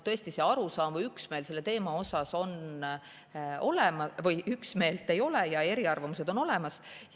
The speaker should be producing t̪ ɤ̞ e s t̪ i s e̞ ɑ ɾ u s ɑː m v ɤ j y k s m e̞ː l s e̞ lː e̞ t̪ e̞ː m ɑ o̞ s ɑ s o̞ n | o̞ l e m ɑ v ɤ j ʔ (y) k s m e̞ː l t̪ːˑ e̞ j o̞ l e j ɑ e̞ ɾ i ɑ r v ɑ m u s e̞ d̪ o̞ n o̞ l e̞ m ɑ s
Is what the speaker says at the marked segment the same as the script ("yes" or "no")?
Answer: yes